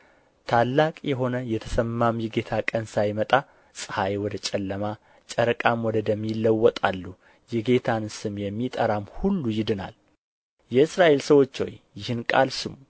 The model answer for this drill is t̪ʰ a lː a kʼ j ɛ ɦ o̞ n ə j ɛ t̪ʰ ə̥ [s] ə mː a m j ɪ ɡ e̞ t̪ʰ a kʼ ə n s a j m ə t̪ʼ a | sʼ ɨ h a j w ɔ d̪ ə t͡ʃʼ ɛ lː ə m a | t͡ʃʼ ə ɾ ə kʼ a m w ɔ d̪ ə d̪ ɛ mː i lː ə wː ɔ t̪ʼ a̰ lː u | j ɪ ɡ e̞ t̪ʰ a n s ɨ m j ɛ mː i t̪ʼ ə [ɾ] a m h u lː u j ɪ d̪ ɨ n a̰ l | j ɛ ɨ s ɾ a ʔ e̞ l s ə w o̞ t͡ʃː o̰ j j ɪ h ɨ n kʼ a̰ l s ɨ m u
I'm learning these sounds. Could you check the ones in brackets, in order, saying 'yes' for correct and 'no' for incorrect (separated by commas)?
yes, yes